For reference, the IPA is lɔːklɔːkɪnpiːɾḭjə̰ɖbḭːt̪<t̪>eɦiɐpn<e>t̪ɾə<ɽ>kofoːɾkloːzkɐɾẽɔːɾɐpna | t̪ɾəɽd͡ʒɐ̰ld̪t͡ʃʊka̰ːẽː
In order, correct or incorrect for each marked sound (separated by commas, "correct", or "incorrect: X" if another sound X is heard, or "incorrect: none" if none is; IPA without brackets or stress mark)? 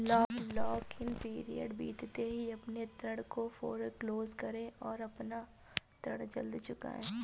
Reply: correct, correct, correct